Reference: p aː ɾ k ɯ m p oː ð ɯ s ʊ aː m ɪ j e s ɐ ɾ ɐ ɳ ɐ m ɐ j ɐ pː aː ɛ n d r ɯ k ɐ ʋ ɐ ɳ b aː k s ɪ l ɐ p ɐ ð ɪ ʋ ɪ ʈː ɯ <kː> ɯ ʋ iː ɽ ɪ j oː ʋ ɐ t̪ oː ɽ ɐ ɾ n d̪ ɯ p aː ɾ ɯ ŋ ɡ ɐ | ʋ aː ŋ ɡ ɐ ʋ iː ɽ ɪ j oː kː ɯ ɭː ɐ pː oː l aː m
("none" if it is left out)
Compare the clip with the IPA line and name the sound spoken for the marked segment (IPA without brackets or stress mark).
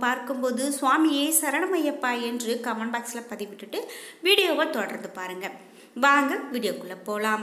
ʈː